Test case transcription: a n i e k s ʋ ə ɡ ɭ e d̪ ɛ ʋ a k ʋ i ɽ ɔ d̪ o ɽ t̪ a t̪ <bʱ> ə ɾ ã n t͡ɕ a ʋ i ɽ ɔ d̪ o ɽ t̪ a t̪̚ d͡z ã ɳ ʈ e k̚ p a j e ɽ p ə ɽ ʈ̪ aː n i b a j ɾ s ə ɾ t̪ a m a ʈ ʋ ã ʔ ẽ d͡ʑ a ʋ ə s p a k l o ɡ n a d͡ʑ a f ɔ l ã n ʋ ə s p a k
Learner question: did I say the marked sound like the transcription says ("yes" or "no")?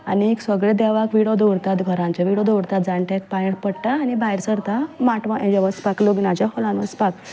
no